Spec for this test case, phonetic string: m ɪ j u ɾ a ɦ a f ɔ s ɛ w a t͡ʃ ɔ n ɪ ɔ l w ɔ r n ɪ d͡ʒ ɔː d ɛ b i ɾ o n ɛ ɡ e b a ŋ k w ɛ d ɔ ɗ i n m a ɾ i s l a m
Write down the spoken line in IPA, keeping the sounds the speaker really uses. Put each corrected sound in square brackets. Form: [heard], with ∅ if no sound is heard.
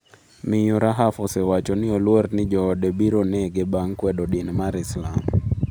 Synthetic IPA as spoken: m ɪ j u ɾ a ɦ a f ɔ s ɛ w a t͡ʃ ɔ n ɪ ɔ l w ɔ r n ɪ d͡ʒ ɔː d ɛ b i ɾ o n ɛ ɡ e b a ŋ k w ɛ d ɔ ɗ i n m a ɾ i s l a m